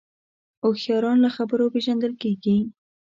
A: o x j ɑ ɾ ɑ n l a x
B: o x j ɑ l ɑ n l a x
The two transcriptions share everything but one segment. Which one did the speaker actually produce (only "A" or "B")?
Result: A